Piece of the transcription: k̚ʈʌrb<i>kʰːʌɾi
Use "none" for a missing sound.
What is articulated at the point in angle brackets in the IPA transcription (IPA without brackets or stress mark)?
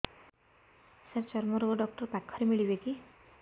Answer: a